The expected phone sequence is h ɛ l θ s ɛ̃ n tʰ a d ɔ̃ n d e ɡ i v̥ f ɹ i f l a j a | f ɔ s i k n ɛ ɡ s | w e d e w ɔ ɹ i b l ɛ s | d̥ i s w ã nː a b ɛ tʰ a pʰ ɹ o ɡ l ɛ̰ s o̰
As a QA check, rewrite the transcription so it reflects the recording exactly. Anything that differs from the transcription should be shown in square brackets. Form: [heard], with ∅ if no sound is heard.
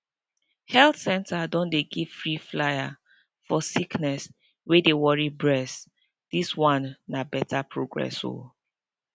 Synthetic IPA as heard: h ɛ l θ s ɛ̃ n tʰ a d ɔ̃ n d e ɡ i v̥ f ɹ i f l a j a | f ɔ s i k n ɛ [∅] s | w e d e w ɔ ɹ i b [ɹ] ɛ s | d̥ i s w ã nː a b ɛ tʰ a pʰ ɹ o ɡ [ɹ] ɛ̰ s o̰

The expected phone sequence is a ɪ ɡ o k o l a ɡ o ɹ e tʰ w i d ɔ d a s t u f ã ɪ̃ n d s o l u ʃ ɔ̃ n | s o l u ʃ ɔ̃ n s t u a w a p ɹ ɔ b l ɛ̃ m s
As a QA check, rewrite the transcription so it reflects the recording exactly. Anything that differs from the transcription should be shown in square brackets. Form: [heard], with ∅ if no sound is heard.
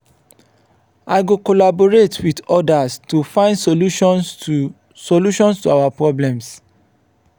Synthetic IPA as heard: a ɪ ɡ o k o l a [b] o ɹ e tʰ w i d ɔ d a s t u f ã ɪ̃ n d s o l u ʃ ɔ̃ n | s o l u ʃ ɔ̃ n s t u a w a p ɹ ɔ b l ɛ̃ m s

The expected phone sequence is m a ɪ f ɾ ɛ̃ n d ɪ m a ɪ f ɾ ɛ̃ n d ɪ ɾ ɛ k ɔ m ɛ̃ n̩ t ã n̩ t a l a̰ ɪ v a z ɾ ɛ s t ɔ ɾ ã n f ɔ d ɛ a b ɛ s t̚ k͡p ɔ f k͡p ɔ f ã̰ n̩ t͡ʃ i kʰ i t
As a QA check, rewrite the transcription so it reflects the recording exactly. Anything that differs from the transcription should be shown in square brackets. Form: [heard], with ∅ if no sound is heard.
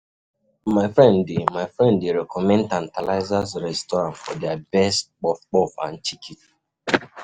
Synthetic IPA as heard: m a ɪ f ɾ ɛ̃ n d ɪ m a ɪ f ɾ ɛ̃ n d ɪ ɾ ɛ k ɔ m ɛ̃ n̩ t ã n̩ t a l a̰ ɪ [z] a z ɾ ɛ s t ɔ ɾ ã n f ɔ d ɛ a b ɛ s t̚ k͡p ɔ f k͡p ɔ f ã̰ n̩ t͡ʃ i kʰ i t

